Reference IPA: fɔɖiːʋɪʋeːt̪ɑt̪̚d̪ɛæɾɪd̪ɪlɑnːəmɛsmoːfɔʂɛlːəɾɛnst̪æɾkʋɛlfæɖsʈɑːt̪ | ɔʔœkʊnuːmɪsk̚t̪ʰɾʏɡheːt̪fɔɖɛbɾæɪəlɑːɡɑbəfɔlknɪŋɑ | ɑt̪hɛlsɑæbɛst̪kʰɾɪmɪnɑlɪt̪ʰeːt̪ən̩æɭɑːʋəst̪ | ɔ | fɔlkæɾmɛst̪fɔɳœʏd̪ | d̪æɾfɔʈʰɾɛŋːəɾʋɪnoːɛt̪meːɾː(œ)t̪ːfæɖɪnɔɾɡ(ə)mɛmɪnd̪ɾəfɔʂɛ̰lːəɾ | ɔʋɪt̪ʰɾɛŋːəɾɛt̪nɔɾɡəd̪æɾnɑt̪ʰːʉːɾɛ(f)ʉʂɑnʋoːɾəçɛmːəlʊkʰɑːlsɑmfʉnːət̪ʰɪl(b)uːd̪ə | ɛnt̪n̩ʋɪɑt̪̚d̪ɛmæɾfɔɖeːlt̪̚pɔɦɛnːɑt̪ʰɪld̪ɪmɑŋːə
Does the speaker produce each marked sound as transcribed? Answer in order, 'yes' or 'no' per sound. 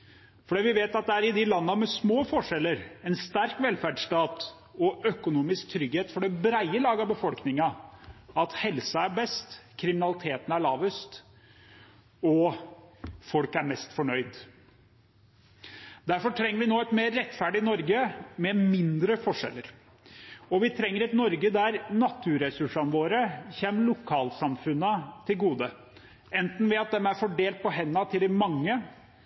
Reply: no, yes, no, no

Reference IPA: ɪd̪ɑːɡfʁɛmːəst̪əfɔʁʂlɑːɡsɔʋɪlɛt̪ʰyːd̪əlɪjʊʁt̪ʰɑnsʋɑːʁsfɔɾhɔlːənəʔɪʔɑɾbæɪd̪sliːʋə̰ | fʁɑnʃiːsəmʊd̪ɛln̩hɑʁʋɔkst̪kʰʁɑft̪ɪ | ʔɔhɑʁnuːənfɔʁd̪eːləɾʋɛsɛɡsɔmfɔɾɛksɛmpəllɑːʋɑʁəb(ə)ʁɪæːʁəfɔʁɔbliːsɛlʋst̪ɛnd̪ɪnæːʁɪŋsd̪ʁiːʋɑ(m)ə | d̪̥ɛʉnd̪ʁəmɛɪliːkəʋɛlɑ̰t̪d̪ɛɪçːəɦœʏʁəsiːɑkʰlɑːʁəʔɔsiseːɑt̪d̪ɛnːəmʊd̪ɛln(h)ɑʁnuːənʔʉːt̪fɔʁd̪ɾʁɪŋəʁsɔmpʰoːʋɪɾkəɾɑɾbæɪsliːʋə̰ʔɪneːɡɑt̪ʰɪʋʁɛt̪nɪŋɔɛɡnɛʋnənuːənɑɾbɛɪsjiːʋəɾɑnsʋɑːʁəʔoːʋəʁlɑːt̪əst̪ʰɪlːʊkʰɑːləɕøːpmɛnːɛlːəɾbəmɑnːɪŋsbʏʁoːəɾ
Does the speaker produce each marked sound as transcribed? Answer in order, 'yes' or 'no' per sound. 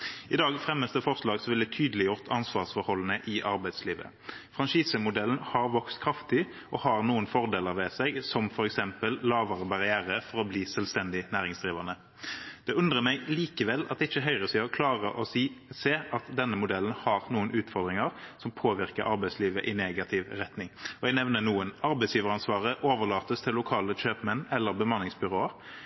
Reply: no, no, yes

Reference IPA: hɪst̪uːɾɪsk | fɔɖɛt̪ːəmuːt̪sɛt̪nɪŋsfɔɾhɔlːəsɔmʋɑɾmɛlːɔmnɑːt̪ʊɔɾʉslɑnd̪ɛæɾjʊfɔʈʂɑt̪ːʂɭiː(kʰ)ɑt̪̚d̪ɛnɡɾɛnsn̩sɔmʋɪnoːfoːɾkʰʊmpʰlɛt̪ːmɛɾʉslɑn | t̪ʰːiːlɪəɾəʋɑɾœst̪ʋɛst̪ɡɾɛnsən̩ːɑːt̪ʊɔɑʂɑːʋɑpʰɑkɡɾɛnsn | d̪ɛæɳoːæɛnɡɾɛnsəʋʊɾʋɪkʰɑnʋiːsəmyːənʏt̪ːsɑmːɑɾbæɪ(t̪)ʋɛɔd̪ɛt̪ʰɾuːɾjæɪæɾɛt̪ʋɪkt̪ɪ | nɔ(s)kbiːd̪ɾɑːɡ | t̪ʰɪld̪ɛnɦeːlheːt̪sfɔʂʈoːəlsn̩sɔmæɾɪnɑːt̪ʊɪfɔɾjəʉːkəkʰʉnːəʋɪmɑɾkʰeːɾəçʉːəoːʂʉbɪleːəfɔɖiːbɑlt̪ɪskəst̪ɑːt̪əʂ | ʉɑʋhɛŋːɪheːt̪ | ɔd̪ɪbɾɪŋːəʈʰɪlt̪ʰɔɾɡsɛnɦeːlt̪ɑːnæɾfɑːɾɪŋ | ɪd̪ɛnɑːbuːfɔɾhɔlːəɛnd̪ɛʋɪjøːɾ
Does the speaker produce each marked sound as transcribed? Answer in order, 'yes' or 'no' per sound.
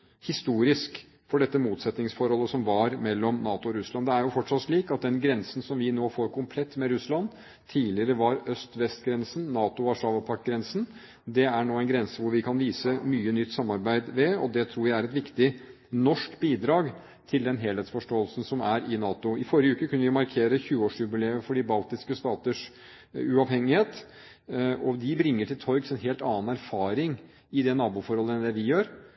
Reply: no, no, no

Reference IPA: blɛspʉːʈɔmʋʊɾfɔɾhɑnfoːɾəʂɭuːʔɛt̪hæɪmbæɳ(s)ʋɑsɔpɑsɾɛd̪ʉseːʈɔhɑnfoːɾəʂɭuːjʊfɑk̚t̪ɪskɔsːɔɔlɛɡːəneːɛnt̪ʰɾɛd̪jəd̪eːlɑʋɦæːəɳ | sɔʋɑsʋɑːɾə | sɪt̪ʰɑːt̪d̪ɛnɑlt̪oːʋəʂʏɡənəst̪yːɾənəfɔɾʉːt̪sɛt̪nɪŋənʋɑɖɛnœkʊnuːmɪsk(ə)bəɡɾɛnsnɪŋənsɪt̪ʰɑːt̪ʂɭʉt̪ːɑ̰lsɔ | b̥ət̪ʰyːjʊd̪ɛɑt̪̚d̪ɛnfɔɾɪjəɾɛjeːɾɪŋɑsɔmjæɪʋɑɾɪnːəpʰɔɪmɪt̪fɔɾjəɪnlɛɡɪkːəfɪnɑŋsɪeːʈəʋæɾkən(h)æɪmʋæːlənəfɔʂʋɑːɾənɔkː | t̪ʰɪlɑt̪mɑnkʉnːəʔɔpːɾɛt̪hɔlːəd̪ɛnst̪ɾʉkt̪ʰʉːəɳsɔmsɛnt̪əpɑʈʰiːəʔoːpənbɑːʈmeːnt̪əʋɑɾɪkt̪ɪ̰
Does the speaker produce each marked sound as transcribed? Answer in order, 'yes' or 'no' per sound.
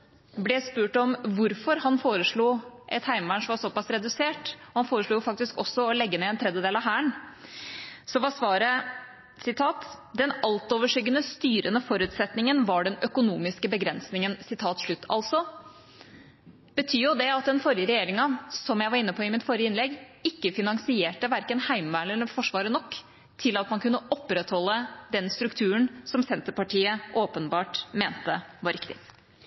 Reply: no, yes, yes

